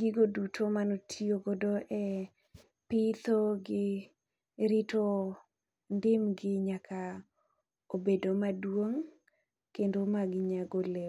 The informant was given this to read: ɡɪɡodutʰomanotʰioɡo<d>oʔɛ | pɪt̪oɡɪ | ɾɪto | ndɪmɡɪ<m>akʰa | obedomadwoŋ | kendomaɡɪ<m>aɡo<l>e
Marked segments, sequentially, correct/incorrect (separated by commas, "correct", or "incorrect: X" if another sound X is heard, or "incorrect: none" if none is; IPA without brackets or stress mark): correct, incorrect: ɲ, incorrect: ɲ, correct